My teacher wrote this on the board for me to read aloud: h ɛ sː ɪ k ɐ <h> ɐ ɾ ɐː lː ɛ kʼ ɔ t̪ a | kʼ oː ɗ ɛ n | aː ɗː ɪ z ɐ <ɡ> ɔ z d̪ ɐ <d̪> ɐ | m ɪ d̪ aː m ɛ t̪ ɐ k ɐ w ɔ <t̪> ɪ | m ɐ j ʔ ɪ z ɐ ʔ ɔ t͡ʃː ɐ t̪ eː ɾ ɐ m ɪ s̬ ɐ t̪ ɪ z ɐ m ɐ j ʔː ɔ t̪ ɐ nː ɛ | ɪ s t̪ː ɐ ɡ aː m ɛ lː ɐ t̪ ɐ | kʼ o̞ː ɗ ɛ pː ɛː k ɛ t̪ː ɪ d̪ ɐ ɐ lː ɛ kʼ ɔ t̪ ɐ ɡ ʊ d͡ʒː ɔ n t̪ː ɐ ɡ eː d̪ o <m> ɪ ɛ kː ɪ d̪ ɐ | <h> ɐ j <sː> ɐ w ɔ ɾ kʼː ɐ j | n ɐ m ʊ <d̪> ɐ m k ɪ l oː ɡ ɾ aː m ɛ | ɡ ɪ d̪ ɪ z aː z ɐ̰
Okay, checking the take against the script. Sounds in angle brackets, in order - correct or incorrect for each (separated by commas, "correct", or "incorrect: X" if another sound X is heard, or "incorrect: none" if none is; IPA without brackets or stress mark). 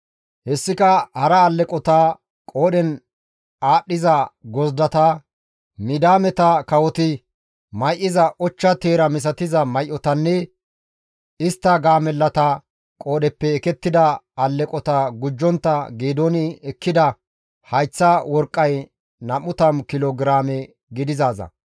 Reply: correct, correct, incorrect: t̪, correct, incorrect: n, correct, incorrect: t͡sː, incorrect: t̪